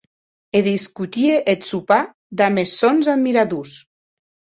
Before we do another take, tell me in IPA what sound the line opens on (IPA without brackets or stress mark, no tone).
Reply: e